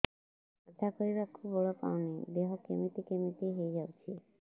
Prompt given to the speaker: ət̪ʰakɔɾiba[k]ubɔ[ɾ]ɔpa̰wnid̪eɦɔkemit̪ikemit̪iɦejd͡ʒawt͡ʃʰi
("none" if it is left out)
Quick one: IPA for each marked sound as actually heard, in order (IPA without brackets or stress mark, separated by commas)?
kʰ, ɭ